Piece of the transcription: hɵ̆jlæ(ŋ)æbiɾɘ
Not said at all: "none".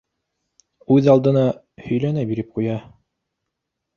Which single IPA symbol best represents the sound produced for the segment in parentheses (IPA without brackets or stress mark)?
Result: n